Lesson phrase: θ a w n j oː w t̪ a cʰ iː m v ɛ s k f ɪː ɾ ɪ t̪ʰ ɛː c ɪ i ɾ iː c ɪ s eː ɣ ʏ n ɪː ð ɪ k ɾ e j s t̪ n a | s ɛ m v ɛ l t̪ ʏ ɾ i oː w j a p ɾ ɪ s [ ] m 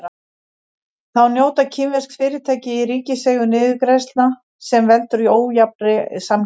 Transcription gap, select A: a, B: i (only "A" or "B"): A